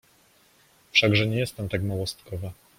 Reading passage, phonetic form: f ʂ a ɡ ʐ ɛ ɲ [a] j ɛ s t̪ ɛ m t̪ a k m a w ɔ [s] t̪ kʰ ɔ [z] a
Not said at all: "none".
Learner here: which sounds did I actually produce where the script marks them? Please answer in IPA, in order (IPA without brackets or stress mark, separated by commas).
ɛ, s, v